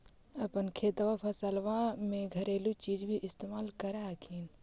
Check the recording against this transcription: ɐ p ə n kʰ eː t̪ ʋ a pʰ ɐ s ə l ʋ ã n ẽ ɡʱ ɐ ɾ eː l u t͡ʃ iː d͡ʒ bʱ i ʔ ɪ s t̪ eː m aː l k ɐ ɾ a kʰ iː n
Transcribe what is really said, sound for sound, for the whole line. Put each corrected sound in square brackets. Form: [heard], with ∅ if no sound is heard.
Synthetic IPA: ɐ p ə n kʰ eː t̪ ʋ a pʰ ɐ s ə l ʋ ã [m] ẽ ɡʱ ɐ ɾ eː l u t͡ʃ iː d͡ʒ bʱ i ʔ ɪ s t̪ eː m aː l k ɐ ɾ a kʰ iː n